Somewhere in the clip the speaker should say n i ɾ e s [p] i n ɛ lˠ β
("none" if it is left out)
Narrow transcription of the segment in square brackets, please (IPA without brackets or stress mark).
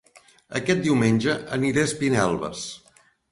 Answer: p